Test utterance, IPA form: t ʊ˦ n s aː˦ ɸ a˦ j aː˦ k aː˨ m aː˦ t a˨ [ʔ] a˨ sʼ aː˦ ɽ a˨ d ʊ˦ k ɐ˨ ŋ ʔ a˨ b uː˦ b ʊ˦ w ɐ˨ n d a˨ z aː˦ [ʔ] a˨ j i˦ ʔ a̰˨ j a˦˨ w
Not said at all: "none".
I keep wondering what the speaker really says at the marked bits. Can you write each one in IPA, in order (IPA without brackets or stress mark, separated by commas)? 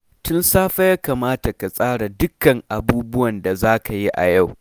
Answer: k, k